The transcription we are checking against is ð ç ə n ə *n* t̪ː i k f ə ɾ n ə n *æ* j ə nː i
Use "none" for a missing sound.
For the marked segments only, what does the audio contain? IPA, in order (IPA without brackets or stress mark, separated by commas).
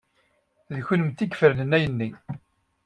m, æ